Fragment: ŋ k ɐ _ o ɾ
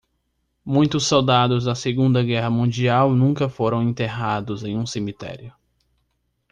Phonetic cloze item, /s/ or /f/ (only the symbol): f